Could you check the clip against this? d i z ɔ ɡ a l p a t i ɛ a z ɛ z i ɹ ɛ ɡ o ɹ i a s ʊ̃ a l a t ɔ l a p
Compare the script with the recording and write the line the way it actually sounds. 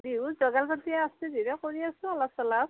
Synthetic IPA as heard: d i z ɔ ɡ a l p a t i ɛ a s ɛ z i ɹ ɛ k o ɹ i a s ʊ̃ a l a s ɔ l a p

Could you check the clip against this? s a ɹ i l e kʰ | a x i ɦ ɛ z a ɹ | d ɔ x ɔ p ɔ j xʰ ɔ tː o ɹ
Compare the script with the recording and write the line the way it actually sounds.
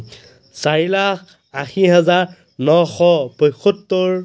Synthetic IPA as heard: s a ɹ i l a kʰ | a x i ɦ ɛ z a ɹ | n ɔ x ɔ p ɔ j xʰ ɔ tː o ɹ

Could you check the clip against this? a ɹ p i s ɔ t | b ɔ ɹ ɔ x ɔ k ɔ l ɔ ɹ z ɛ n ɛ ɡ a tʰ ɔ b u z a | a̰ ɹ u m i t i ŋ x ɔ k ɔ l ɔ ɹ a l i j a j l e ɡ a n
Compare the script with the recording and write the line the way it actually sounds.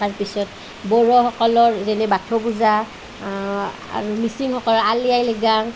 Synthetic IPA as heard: a ɹ p i s ɔ t | b ɔ ɹ ɔ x ɔ k ɔ l ɔ ɹ z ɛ n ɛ b a tʰ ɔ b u z a | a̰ ɹ u m i s i ŋ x ɔ k ɔ l ɔ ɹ a l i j a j l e ɡ a ŋ

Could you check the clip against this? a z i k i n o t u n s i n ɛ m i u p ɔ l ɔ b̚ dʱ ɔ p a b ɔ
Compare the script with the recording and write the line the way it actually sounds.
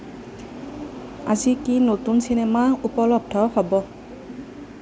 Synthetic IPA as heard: a z i k i n o t u n s i n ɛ m a u p ɔ l ɔ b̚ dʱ ɔ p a b ɔ

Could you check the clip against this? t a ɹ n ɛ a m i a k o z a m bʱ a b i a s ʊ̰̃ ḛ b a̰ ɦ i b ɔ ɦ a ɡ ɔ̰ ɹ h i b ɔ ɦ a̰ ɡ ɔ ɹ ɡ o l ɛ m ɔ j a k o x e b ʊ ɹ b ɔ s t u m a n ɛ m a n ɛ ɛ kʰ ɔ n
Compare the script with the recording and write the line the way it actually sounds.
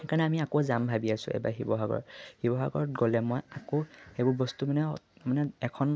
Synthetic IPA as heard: k a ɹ n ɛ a m i a k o z a m bʱ a b i a s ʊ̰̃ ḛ b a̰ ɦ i b ɔ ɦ a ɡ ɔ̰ ɹ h i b ɔ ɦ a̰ ɡ ɔ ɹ ɡ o l ɛ m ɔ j a k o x e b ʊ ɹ b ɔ s t u m a n ɛ m a n ɛ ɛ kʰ ɔ n

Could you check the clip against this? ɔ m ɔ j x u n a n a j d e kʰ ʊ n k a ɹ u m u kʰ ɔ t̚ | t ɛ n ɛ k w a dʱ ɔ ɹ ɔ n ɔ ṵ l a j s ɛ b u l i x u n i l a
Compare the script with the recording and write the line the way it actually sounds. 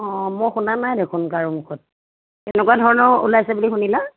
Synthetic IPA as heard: ɔ m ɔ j x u n a n a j d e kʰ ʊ n k a ɹ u m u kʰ ɔ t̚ | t ɛ n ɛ k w a dʱ ɔ ɹ ɔ n ɔ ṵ l a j s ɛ b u l i x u n i l a

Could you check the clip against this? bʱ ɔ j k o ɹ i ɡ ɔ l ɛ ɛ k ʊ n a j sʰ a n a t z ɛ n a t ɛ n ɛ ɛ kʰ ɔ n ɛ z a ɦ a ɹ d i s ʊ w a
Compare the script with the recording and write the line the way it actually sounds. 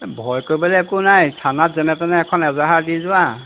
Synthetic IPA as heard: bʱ ɔ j k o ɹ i b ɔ l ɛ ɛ k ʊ n a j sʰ a n a t z ɛ n ɛ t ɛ n ɛ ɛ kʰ ɔ n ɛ z a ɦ a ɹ d i z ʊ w a

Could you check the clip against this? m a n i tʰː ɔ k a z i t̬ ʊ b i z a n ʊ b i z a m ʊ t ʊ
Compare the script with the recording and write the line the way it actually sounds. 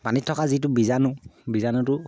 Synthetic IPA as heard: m a n i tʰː ɔ k a z i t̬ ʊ b i z a n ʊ b i z a n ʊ t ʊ

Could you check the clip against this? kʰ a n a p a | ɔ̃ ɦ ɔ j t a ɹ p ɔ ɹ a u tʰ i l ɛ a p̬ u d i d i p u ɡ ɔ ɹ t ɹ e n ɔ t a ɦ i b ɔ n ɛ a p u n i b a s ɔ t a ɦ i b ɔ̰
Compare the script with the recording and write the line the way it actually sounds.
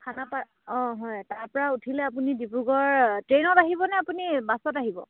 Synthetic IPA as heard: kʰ a n a p a | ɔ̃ ɦ ɔ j t a ɹ p ɔ ɹ a u tʰ i l ɛ a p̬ u n i d i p u ɡ ɔ ɹ t ɹ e n ɔ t a ɦ i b ɔ n ɛ a p u n i b a s ɔ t a ɦ i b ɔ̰

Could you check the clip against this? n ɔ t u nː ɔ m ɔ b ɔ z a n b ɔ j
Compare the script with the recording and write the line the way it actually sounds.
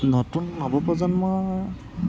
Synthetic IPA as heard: n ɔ t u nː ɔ b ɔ p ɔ z a n m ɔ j

